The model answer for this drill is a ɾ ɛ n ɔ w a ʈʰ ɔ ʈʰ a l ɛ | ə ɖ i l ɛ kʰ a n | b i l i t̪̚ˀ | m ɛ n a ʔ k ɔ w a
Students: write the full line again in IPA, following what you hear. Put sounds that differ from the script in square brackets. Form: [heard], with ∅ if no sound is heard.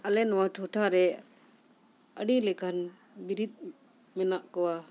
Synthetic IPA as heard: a [l] ɛ n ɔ w a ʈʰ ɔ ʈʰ a [ɾ] ɛ | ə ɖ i l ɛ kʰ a n | b i [ɾ] i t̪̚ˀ | m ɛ n a ʔ k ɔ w a